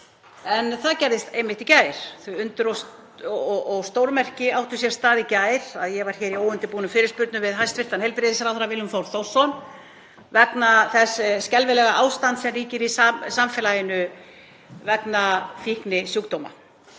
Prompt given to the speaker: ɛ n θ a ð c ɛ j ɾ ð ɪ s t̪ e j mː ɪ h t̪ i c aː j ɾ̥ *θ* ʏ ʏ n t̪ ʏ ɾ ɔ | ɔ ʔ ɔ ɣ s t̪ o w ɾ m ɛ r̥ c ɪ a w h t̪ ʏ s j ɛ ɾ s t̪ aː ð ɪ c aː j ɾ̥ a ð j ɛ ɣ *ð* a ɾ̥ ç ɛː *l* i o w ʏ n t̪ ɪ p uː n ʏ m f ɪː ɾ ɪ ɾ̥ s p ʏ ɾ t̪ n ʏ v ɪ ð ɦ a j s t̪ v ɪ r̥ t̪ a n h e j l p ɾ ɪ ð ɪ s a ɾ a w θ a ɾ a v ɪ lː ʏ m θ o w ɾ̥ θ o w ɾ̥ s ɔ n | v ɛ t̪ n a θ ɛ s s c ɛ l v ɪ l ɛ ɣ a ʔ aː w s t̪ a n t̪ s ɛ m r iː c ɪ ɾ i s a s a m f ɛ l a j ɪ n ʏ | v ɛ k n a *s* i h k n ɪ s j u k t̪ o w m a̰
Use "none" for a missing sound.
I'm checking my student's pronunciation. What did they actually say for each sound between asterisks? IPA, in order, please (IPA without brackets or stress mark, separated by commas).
θ, v, ɾ, f